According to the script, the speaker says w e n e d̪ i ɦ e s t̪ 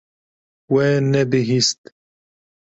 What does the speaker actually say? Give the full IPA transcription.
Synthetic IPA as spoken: w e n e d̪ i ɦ i s t̪